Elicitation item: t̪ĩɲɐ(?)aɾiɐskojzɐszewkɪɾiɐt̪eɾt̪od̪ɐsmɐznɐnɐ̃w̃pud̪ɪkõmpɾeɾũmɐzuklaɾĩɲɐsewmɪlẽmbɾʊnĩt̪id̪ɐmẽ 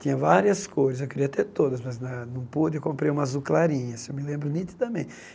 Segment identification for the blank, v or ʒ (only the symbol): v